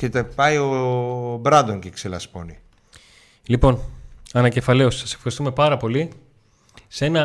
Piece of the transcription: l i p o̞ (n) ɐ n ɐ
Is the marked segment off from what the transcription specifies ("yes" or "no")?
no